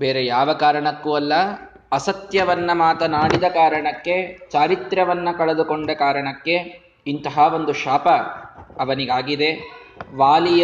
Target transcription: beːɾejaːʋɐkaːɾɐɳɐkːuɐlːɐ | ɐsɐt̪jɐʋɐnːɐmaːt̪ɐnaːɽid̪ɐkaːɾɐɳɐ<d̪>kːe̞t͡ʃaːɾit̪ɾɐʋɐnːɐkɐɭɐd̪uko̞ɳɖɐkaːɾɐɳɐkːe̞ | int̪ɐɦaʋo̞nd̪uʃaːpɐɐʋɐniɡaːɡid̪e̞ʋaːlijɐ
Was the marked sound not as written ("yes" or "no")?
yes